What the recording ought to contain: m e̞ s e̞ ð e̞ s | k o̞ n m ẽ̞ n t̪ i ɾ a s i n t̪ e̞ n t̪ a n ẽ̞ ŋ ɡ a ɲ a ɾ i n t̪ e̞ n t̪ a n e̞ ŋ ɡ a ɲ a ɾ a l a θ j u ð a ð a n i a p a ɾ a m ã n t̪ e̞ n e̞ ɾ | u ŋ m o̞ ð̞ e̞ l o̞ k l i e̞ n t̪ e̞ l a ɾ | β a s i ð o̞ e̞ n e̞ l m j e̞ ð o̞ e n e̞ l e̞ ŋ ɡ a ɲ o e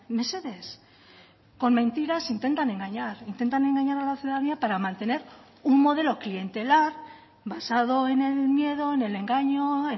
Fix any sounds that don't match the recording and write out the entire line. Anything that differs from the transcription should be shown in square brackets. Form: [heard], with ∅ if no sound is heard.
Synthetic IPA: m e̞ s e̞ ð e̞ s | k o̞ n m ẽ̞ n t̪ i ɾ a s i n t̪ e̞ n t̪ a n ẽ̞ ŋ ɡ a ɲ a ɾ i n t̪ e̞ n t̪ a n e̞ ŋ ɡ a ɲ a ɾ a l a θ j u ð a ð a n i a p a ɾ a m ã n t̪ e̞ n e̞ ɾ | u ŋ m o̞ ð̞ e̞ l o̞ k l i e̞ n t̪ e̞ l a ɾ | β a s [a] ð o̞ e̞ n e̞ l m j e̞ ð o̞ e n e̞ l e̞ ŋ ɡ a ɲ o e